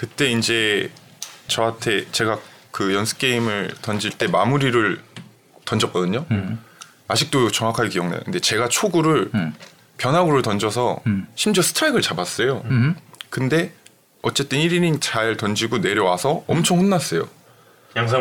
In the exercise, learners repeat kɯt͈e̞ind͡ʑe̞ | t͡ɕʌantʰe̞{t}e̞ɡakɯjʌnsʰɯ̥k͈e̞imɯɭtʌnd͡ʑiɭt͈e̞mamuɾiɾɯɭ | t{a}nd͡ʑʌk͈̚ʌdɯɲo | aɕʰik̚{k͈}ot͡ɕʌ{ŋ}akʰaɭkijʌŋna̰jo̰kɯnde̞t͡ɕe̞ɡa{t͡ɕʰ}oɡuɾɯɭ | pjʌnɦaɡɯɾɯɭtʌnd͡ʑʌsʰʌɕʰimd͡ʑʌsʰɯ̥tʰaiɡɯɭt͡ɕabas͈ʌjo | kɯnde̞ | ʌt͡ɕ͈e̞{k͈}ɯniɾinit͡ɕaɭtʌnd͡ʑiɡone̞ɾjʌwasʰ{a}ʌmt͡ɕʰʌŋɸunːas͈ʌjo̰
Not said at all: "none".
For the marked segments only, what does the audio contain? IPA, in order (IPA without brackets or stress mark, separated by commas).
t͡ɕ, ʌ, t͈, ŋ, t͡ɕʰ, t͈, ʌ